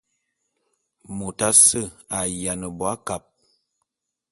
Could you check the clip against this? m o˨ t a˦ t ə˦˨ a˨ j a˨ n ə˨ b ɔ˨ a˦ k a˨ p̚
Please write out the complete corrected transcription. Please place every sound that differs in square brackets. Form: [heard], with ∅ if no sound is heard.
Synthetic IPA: m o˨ t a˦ [s] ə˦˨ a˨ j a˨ n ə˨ b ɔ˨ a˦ k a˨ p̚

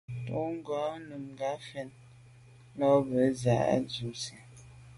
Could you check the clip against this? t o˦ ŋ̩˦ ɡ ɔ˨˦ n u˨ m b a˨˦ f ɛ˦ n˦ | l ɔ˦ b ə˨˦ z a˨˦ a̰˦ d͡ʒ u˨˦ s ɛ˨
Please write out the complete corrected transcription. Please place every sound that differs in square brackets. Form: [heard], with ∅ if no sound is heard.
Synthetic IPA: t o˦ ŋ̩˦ ɡ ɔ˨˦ n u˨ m [ɡ] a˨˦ f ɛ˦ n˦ | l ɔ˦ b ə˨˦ z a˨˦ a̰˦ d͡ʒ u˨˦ s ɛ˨

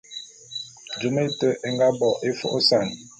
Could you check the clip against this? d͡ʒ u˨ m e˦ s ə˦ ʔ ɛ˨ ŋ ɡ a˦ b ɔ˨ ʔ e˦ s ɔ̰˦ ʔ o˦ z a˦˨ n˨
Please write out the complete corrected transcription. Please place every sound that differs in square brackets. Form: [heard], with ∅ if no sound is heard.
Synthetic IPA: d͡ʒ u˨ m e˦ [t] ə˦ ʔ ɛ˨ ŋ ɡ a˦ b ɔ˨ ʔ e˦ [f] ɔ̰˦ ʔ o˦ [s] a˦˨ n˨

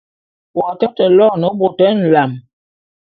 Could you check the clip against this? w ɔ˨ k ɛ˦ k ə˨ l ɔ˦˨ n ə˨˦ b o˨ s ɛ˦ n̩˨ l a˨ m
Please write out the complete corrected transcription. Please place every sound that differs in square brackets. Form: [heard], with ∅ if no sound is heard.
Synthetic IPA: w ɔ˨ [t] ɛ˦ [t] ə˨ l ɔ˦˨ n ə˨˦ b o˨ [t] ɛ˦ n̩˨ l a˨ m

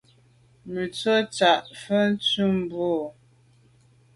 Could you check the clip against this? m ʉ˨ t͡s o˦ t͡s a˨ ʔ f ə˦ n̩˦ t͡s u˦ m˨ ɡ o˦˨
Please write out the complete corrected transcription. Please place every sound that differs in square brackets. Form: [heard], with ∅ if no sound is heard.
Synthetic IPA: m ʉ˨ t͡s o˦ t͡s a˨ ʔ f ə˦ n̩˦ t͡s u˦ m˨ [b] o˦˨

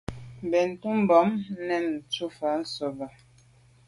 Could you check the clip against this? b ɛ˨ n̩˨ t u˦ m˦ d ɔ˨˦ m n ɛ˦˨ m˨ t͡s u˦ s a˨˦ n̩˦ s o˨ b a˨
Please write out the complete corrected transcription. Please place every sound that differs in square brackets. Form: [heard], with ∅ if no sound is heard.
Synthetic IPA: b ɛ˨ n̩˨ t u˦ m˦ [b] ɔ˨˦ m n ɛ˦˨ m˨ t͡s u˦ [f] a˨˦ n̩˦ s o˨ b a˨

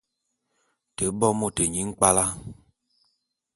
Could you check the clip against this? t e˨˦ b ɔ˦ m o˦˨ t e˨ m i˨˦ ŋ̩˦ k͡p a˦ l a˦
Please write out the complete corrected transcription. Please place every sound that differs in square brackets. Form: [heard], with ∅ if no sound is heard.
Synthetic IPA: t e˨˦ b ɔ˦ m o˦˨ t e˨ [ɲ] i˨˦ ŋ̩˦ k͡p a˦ l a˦

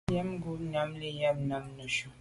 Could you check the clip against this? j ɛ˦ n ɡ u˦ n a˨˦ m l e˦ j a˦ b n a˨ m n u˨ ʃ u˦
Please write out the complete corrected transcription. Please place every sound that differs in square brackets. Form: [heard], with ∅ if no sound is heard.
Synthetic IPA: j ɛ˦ [m] ɡ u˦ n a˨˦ m l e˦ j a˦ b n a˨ m n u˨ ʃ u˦

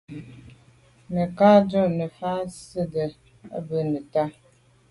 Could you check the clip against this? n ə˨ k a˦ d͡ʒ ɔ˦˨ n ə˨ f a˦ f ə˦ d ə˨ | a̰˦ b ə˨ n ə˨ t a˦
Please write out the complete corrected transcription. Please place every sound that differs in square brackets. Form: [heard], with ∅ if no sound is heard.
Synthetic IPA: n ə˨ k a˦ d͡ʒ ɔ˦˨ n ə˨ f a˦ [s] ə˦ d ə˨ | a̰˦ b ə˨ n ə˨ t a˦

